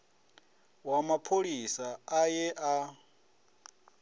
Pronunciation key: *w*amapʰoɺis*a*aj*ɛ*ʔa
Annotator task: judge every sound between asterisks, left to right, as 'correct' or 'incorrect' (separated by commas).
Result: correct, correct, correct